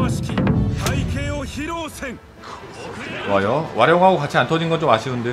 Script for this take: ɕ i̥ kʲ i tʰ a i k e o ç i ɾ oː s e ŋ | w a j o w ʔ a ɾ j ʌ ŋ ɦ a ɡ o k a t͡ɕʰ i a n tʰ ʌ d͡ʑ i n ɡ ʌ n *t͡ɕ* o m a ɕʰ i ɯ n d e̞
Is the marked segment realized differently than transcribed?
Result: no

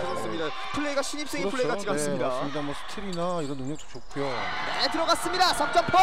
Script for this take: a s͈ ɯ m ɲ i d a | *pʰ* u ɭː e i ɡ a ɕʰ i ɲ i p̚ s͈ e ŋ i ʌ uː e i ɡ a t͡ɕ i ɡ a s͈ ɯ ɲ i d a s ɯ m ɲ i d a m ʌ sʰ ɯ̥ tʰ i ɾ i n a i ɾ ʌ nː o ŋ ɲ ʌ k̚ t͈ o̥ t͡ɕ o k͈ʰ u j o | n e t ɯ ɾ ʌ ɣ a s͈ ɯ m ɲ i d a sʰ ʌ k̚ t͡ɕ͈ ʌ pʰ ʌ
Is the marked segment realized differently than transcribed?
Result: no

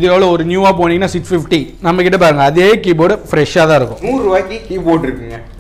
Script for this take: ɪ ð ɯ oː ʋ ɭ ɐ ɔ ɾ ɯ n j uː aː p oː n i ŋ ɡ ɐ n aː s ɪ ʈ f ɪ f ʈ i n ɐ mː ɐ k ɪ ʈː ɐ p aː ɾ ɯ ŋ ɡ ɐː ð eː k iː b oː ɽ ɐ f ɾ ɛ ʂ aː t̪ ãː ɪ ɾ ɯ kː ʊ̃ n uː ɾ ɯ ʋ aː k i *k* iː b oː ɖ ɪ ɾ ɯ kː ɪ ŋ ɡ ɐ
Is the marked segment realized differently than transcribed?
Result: no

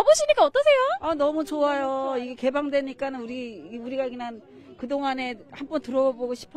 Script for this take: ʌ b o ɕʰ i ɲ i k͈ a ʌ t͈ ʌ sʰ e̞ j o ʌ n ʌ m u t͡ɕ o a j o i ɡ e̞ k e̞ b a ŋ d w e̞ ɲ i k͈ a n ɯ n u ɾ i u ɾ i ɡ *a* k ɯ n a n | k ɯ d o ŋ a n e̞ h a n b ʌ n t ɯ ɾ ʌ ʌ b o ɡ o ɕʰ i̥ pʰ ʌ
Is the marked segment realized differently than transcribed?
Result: no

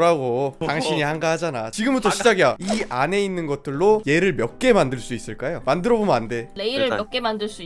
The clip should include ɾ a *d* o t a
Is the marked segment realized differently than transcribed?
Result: yes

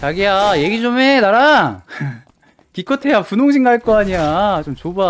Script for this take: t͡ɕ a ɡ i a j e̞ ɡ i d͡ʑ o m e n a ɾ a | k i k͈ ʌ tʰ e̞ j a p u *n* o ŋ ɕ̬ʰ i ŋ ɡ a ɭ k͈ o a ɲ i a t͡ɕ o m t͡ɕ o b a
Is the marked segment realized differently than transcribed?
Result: no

